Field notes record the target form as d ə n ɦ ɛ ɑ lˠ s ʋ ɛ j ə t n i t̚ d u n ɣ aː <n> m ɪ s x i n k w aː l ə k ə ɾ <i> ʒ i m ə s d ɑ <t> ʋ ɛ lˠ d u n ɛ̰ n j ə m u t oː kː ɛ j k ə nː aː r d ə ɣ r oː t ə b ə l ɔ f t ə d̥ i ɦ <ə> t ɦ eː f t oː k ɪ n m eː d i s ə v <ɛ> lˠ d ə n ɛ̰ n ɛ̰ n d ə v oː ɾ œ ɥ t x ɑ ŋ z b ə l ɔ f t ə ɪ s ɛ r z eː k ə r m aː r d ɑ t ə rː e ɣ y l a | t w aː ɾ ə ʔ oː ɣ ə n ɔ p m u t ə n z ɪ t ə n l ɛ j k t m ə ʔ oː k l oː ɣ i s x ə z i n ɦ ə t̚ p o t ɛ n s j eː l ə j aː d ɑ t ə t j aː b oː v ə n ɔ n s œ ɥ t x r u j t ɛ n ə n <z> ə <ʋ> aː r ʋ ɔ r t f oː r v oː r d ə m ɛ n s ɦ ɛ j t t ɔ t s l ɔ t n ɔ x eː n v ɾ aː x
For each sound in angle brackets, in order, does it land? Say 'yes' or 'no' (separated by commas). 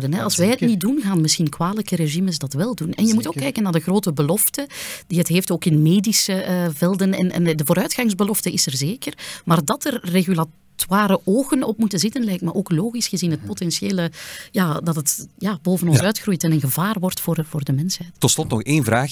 yes, no, yes, yes, yes, no, no